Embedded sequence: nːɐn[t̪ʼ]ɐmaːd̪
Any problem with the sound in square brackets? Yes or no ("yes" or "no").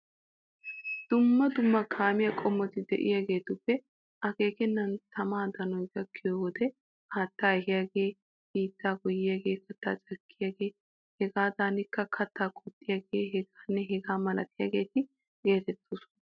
yes